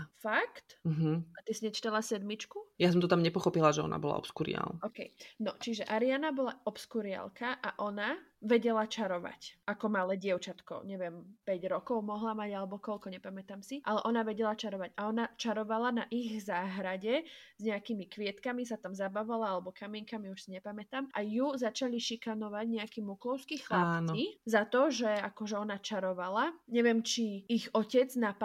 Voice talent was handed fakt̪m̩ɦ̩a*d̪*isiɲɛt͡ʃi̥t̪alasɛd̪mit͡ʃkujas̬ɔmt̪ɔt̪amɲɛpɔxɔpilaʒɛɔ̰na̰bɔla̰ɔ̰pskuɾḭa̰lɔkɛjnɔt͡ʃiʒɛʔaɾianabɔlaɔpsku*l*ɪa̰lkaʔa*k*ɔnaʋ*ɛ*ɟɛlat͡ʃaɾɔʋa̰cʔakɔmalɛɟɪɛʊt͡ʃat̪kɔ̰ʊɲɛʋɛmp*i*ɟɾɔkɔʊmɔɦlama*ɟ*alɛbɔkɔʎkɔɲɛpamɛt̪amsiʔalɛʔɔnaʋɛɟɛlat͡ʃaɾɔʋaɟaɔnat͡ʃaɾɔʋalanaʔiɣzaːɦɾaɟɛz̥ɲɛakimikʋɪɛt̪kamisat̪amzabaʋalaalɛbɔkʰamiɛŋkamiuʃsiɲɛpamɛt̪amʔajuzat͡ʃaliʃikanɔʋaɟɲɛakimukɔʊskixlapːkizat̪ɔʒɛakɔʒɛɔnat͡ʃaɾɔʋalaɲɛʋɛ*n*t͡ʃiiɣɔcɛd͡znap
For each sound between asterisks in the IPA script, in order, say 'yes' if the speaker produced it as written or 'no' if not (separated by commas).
no, no, no, yes, no, yes, no